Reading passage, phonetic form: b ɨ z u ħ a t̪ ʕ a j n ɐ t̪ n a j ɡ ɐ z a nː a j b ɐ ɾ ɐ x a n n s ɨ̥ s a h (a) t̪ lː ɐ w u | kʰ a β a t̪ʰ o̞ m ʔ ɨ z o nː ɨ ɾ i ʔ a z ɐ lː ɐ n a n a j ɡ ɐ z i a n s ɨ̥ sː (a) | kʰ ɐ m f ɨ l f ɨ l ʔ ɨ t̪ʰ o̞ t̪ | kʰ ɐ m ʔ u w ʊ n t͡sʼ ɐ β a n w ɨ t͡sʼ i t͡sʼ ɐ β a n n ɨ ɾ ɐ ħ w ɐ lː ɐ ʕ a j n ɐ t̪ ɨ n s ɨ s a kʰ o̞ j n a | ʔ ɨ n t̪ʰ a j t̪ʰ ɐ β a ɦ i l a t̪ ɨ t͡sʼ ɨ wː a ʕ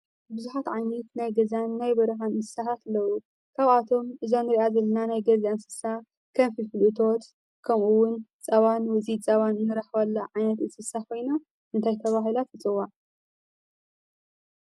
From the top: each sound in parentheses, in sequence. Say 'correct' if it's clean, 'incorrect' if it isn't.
correct, correct

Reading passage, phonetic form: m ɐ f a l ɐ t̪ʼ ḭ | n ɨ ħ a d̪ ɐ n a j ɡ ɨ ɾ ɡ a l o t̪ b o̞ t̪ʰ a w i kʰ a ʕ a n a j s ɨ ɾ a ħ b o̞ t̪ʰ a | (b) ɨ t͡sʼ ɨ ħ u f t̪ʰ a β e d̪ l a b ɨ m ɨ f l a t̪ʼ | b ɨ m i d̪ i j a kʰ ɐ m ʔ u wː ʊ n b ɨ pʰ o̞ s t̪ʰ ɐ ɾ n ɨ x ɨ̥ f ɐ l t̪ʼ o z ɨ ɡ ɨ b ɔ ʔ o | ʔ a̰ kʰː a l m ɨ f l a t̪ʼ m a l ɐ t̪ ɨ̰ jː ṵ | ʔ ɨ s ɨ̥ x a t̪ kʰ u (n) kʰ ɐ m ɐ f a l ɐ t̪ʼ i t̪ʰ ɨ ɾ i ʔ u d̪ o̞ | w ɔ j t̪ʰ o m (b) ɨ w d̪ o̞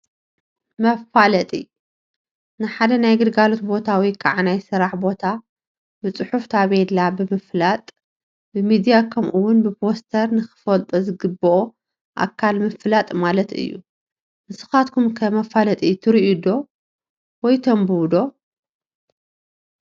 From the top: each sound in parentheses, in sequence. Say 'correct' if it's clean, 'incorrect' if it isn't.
correct, incorrect, correct

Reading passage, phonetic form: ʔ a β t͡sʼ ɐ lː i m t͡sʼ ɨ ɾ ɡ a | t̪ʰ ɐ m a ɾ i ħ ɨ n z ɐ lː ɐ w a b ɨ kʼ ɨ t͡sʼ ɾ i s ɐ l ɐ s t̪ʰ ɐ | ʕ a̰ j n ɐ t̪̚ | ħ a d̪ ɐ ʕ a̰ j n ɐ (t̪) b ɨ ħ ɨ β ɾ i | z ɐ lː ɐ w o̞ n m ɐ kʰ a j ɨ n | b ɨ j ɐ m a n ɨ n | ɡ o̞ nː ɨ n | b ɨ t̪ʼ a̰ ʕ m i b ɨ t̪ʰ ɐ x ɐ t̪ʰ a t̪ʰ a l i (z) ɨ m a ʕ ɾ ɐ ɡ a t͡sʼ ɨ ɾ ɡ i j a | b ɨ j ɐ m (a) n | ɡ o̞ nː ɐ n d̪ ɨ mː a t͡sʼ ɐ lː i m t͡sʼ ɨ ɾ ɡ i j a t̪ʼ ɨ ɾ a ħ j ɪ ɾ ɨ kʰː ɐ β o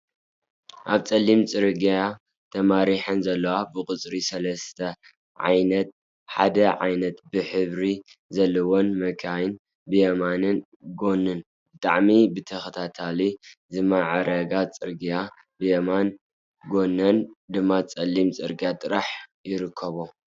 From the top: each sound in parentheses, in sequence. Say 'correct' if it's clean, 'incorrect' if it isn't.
correct, correct, correct

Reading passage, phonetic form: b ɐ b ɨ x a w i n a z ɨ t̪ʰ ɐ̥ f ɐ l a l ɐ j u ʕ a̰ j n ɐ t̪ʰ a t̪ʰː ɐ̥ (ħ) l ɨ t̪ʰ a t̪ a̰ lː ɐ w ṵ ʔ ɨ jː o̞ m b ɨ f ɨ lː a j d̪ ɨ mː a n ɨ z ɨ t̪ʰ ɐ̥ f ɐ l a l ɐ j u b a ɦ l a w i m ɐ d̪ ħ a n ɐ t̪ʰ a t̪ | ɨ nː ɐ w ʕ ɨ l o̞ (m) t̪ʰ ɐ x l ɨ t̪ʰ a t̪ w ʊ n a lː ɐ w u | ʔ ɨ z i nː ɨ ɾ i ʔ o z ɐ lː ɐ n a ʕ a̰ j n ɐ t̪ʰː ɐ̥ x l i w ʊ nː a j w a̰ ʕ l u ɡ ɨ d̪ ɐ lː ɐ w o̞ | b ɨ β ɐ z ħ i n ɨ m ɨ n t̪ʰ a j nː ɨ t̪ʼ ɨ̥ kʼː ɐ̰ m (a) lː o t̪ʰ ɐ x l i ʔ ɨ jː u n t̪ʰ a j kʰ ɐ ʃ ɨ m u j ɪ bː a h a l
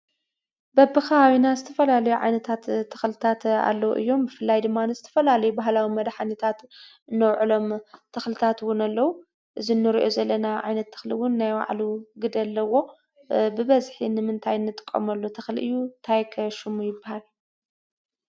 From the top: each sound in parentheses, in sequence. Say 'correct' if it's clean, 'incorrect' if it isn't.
incorrect, correct, incorrect

